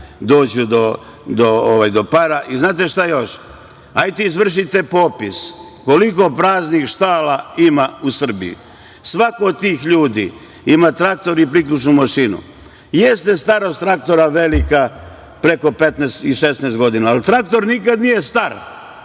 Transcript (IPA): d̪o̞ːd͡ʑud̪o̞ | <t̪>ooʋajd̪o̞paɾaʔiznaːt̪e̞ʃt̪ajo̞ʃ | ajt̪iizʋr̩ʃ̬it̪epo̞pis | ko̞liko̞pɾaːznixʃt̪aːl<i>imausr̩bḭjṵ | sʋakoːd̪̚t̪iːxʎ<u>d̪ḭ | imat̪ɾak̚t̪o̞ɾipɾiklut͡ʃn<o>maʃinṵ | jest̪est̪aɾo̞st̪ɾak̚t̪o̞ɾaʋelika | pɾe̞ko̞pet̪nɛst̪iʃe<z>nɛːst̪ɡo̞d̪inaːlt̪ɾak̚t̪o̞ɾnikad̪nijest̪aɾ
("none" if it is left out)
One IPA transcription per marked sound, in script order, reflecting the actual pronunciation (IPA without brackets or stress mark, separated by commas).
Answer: d̪, a, uː, u, s